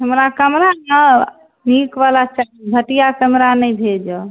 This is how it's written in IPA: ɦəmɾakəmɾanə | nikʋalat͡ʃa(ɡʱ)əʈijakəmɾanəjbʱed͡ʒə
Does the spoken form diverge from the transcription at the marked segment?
yes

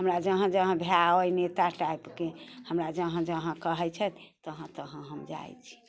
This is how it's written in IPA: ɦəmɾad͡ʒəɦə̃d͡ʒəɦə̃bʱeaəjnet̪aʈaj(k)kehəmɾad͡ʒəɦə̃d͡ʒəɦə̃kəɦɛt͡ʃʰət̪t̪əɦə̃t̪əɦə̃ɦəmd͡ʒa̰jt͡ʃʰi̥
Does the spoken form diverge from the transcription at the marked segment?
yes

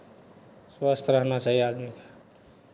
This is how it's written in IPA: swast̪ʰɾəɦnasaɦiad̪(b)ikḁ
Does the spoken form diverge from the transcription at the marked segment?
yes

